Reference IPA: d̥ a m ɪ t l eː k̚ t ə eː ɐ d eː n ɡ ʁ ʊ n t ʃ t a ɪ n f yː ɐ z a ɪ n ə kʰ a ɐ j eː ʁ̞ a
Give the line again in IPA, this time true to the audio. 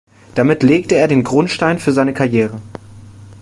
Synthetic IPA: d̥ a m ɪ t l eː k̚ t ə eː ɐ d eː n ɡ ʁ ʊ n t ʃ t a ɪ n f yː ɐ z a ɪ n ə kʰ a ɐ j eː ʁ̞ ə